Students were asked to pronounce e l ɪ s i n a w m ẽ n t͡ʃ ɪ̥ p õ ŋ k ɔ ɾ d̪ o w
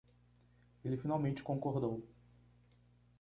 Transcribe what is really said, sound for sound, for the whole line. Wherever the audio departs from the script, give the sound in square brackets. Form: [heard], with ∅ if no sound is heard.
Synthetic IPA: e l ɪ [f] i n a w m ẽ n t͡ʃ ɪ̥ [k] õ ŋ k [o] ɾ d̪ o w